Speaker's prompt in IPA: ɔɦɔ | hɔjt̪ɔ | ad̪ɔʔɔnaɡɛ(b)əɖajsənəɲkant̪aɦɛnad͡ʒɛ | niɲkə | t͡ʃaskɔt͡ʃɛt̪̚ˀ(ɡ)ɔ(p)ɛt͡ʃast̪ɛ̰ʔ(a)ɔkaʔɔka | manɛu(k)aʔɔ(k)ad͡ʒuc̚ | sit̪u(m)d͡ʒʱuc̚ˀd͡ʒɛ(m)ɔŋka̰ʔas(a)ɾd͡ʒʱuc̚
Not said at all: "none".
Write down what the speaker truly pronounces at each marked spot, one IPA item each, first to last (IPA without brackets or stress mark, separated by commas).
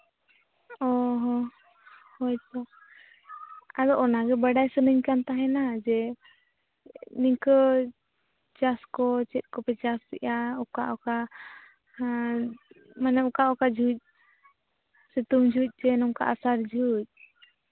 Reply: b, k, p, a, k, k, m, n, a